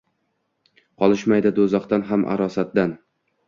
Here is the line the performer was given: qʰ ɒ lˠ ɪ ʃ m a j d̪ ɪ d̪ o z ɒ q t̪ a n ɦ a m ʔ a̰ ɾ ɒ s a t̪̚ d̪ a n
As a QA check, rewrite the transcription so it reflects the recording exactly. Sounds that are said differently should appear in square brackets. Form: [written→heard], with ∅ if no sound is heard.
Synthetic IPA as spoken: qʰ ɒ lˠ ɪ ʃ m a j d̪ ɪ d̪ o z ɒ q t̪ a n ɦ a m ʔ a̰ ɾ ɒ s a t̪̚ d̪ a n